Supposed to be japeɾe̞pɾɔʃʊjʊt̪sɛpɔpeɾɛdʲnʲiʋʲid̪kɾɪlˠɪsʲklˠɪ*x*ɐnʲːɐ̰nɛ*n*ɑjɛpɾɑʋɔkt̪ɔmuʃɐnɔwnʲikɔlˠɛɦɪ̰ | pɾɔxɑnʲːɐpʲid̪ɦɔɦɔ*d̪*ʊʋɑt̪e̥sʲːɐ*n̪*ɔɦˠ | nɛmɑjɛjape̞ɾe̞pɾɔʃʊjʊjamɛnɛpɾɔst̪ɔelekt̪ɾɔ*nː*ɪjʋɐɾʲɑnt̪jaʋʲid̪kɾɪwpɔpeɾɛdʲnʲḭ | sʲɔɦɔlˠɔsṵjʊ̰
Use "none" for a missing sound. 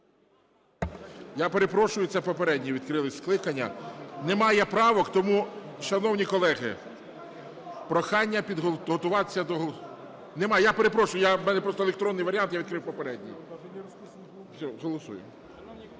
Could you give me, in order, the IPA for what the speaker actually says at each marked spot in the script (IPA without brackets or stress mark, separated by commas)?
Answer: k, m, t̪, d̪, nː